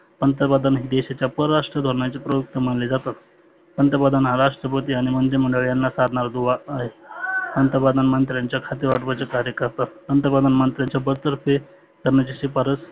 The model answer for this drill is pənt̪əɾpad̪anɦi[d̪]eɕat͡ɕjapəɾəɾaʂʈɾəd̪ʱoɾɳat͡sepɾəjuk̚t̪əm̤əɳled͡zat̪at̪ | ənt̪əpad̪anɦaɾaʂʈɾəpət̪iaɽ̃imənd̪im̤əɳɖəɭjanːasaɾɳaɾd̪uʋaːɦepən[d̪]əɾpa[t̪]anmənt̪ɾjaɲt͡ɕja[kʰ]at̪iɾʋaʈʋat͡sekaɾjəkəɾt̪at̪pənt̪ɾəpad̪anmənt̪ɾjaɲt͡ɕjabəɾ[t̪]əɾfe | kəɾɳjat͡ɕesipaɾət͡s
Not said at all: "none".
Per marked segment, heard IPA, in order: d̪, t̪, d̪, kʰ, t̪

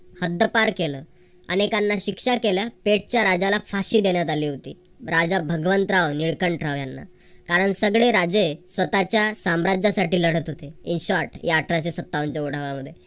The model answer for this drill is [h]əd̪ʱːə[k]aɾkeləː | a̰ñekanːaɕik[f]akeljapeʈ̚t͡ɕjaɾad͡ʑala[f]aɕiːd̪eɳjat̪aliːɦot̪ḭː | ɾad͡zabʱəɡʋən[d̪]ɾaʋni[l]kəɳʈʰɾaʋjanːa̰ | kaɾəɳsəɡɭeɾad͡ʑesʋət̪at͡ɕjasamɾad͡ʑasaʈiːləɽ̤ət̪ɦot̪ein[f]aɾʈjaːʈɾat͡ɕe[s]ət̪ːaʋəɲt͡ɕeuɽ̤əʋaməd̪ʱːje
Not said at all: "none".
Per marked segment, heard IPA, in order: h, p, ʂ, f, t̪, ɭ, ɕ, s

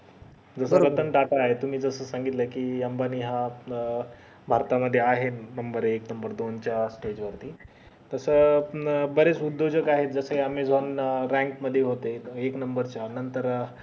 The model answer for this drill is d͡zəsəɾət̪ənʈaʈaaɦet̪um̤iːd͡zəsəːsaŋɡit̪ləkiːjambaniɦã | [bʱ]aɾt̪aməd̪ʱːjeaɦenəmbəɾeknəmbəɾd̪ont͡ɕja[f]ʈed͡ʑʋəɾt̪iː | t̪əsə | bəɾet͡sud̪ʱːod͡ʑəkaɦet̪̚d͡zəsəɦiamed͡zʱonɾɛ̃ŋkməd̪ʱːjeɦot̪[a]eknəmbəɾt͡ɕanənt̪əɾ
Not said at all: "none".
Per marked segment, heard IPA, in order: bʱ, s, e

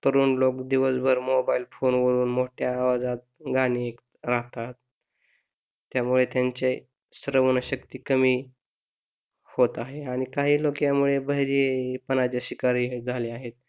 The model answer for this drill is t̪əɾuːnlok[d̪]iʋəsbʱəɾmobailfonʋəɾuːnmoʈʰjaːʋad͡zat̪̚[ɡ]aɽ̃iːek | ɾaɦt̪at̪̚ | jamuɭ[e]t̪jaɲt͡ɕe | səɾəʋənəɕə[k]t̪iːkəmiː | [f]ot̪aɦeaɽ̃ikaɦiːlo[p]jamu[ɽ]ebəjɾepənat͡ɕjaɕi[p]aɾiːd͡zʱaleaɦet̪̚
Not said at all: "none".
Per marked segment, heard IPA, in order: d̪, ɡ, e, k, h, k, ɭ, k

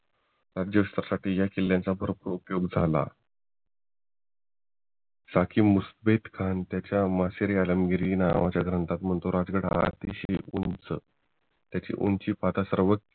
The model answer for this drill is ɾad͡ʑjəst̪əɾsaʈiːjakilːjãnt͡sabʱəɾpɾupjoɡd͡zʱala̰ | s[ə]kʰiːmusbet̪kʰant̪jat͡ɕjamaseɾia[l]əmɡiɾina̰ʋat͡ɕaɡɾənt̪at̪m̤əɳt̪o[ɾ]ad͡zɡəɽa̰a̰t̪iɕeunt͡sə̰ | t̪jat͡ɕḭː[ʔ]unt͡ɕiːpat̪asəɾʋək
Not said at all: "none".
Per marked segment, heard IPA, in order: a, l, ɾ, ʔ

